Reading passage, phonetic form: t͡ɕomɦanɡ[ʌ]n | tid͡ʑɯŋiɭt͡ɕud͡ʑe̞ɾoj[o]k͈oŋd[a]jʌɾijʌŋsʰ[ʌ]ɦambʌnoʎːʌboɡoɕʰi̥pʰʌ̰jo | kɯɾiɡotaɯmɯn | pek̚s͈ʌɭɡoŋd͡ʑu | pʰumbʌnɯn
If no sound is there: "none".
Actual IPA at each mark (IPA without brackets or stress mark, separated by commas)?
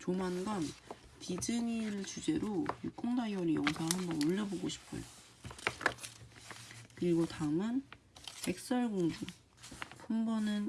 ʌ, u, a, a